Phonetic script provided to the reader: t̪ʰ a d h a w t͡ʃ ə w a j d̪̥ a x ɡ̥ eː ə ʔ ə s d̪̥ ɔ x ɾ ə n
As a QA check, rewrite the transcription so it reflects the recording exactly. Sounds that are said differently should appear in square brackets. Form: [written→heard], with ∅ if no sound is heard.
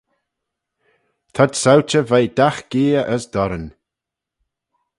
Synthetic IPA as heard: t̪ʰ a d [h→s] a w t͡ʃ ə [w→v] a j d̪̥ a x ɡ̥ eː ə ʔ ə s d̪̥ ɔ [x→∅] ɾ ə n